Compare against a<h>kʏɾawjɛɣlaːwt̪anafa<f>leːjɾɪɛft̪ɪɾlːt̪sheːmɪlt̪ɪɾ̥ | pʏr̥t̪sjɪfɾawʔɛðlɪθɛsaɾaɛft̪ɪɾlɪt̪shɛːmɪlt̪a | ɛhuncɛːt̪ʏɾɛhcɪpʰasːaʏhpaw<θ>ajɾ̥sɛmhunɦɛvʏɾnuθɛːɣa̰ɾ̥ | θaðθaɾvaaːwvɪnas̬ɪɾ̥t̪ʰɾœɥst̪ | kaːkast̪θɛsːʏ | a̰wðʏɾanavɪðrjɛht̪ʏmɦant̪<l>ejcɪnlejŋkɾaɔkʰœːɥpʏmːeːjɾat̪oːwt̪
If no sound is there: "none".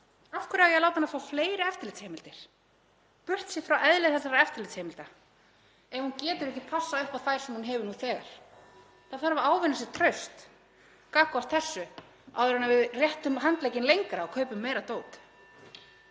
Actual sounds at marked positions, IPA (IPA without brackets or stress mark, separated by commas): f, f, θ, l